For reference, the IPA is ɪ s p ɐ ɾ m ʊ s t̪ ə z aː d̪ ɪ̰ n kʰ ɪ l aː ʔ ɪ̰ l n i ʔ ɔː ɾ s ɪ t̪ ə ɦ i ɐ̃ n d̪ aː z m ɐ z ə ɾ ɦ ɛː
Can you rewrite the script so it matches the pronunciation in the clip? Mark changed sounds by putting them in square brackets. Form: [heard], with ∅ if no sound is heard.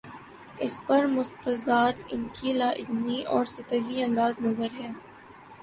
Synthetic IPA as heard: ɪ s p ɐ ɾ m ʊ s t̪ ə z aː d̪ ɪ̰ n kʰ [i] l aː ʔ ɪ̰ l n i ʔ ɔː ɾ s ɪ t̪ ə ɦ i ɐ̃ n d̪ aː z [n] ɐ z ə ɾ ɦ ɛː